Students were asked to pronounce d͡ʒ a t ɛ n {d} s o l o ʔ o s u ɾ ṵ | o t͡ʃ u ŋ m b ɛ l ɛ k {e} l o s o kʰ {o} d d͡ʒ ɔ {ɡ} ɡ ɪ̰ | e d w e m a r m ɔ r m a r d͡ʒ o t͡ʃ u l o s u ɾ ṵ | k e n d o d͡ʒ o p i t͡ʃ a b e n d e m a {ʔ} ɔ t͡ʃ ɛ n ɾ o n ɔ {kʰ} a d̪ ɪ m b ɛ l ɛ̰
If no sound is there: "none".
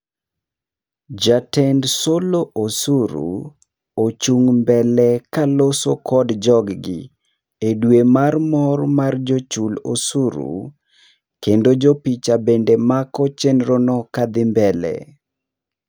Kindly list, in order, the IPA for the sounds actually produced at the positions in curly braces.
d, a, ɔ, ɡ, k, k

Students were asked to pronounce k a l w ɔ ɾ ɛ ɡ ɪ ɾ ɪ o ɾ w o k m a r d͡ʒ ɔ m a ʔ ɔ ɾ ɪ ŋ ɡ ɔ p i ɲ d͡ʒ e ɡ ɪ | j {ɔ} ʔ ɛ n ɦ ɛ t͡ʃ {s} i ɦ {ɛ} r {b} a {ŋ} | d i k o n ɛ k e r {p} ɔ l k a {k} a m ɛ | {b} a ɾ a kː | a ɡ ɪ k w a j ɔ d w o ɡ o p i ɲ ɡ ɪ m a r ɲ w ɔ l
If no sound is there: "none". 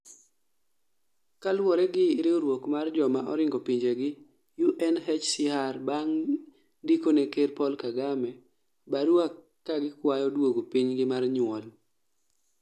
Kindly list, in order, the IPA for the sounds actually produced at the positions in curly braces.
u, s, a, b, ŋ, p, ɡ, b

